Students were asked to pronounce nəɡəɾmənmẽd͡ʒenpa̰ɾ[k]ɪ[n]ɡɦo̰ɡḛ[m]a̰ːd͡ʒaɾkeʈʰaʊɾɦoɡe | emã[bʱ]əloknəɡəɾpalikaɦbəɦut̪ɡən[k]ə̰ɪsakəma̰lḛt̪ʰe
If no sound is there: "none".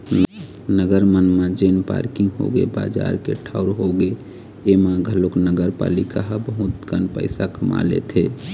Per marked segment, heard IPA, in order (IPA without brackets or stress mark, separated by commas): k, ŋ, b, ɡʱ, p